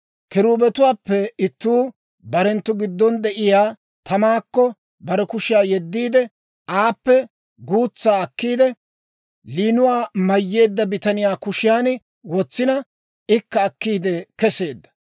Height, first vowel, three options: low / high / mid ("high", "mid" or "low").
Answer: high